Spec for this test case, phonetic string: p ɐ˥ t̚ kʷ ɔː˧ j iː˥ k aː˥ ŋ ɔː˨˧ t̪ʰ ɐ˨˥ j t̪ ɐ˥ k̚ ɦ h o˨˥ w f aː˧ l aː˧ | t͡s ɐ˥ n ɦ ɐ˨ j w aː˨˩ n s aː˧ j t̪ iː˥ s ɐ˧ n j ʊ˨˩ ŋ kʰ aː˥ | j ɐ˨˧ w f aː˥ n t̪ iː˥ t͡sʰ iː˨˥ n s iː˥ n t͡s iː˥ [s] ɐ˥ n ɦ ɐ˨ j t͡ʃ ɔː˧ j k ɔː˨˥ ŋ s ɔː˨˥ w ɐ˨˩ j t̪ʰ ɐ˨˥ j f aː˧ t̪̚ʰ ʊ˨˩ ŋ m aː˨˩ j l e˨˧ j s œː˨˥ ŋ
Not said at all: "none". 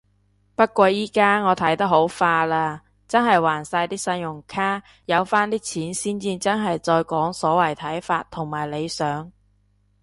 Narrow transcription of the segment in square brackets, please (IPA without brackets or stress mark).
t͡s